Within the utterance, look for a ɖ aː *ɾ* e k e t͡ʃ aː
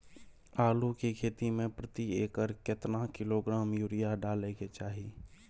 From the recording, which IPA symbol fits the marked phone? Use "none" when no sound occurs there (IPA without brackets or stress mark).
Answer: l